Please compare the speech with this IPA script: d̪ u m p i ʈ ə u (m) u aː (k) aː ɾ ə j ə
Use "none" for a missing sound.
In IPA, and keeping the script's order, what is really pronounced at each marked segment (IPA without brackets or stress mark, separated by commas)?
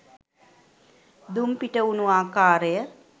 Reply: n, k